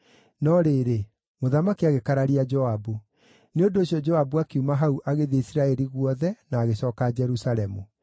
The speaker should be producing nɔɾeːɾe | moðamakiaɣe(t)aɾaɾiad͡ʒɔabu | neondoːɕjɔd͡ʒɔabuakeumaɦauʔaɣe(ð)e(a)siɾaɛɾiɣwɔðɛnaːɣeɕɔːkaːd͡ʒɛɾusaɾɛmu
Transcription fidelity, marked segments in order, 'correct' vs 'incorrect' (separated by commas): incorrect, correct, incorrect